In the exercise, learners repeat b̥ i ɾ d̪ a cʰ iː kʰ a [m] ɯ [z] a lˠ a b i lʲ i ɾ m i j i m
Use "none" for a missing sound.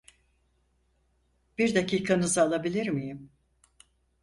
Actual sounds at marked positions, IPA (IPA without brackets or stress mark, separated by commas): n, z